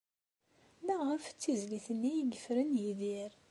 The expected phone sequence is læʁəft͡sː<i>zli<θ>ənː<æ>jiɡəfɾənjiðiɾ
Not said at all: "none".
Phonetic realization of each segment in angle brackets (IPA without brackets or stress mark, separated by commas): i, θ, i